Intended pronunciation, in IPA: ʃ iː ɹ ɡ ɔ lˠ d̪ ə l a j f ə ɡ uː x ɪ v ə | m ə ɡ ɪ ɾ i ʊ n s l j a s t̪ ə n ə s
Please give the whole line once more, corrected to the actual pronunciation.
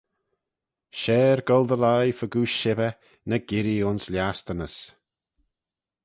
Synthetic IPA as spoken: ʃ ɛː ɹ ɡ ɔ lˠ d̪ ə l a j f ə ɡ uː ʃ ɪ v ə | n ə ɡ ɪ ɾ i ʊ n s l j a s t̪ ə n ə s